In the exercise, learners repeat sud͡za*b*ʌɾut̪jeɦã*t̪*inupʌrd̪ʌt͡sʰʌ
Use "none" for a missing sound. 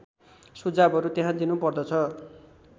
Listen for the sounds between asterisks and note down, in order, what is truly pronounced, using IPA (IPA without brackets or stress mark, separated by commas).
b, d̪